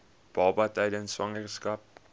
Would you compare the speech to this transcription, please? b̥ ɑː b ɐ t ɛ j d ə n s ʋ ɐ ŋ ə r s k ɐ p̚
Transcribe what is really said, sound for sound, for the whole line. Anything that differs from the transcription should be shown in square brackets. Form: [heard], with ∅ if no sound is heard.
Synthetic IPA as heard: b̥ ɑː b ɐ t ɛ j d ə n s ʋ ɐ ŋ ə r s k ɐ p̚